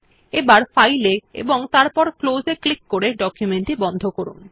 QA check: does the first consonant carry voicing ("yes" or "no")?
yes